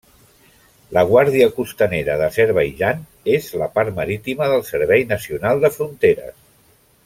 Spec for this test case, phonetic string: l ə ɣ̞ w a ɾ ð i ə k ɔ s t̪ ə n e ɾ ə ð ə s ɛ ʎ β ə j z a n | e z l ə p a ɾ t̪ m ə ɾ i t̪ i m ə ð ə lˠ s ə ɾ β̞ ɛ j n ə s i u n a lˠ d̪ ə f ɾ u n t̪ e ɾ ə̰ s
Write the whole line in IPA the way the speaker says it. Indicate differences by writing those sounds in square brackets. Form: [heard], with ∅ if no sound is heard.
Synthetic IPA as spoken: l ə ɣ̞ w a ɾ ð i ə k [u] s t̪ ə n e ɾ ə ð ə s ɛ [ɾ] β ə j [ʒ] a n | e z l ə p a ɾ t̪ m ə ɾ i t̪ i m ə ð ə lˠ s ə ɾ β̞ ɛ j n ə s i u n a lˠ d̪ ə f ɾ u n t̪ e ɾ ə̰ s